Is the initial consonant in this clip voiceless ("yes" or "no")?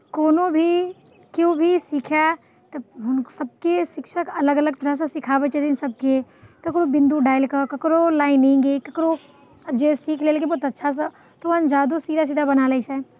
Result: yes